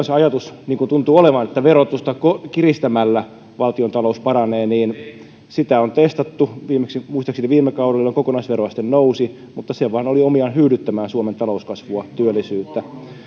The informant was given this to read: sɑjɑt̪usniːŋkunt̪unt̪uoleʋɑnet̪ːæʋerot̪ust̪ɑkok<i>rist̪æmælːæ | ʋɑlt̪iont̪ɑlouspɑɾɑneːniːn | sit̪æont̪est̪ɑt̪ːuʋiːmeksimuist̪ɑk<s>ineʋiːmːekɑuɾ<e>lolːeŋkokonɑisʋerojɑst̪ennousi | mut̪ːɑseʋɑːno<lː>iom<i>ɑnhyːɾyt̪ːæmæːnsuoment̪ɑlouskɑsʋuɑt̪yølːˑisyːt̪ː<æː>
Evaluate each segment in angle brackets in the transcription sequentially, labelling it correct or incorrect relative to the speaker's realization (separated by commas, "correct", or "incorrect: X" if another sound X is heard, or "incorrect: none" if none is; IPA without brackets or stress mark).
correct, correct, correct, incorrect: l, correct, incorrect: æ